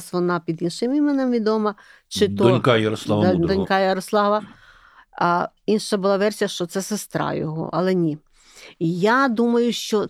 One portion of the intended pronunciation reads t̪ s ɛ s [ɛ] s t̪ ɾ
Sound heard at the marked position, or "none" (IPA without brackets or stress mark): e